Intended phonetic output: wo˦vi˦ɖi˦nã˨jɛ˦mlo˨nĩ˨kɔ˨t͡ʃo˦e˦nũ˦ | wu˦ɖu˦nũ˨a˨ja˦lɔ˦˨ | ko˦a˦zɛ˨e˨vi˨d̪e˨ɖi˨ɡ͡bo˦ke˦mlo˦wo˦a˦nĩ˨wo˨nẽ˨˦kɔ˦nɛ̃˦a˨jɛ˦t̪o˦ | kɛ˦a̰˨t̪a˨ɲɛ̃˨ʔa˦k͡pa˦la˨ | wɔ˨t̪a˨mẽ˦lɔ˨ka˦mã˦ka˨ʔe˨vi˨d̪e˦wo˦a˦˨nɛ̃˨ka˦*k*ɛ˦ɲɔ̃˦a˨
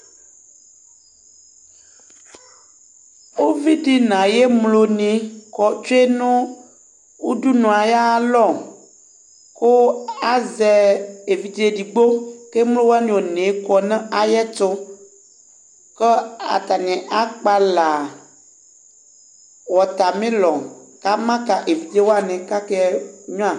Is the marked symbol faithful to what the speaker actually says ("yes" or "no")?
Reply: yes